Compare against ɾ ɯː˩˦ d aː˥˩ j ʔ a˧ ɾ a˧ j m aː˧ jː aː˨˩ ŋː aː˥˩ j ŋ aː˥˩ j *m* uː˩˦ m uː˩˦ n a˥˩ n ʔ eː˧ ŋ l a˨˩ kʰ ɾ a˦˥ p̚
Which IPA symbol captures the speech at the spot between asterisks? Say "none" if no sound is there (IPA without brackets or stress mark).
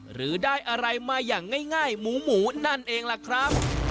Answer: m